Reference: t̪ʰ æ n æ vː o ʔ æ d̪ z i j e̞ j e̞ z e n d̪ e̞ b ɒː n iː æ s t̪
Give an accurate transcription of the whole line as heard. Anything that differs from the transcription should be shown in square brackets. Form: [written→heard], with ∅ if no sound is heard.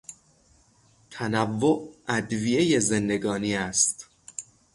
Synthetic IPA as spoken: t̪ʰ æ n æ vː o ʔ æ d̪ [z→v] i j e̞ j e̞ z e n d̪ e̞ [b→ɡ] ɒː n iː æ s t̪